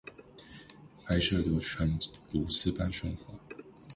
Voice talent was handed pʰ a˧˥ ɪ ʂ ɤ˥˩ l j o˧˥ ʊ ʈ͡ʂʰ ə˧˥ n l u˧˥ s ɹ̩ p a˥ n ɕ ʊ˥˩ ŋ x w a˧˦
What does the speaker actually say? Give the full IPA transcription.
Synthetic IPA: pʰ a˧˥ ɪ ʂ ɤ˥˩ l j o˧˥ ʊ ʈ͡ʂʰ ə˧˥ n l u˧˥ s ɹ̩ p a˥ n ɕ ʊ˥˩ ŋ x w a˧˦